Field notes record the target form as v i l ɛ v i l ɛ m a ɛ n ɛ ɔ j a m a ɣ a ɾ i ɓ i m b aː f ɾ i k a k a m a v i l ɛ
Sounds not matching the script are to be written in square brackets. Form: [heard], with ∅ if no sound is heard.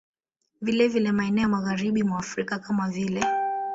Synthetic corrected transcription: v i l ɛ v i l ɛ m a ɛ n ɛ ɔ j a m a ɣ a ɾ i ɓ i m [w] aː f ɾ i k a k a m a v i l ɛ